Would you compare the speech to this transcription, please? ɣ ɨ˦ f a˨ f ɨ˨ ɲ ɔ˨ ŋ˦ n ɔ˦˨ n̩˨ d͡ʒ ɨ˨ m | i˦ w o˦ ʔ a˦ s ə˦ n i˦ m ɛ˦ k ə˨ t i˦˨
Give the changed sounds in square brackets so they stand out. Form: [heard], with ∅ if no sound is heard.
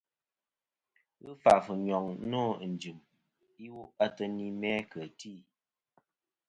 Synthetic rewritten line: ɣ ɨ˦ f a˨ f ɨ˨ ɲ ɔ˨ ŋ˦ n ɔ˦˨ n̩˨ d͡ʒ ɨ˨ m | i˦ w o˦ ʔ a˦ [t] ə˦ n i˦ m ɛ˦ k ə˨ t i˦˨